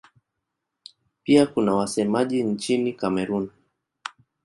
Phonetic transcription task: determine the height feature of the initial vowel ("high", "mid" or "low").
high